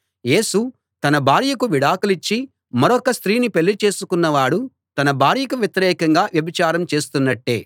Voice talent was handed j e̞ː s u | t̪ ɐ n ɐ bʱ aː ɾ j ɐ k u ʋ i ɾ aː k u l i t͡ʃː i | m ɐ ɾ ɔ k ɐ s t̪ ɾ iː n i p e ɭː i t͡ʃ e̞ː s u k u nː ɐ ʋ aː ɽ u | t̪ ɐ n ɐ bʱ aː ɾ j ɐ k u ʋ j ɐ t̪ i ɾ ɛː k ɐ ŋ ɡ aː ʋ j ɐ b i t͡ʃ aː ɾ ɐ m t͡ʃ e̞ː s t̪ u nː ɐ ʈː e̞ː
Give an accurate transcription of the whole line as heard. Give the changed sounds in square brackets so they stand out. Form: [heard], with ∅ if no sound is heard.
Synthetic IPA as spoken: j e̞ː s u | t̪ ɐ n ɐ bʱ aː ɾ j ɐ k u ʋ i [ɽ] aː k u l i t͡ʃː i | m ɐ ɾ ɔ k ɐ s t̪ ɾ iː n i p e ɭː i t͡ʃ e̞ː s u k u nː ɐ ʋ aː ɽ u | t̪ ɐ n ɐ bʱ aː ɾ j ɐ k u ʋ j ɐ t̪ i ɾ ɛː k ɐ ŋ ɡ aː ʋ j ɐ b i t͡ʃ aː ɾ ɐ m t͡ʃ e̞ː s t̪ u nː ɐ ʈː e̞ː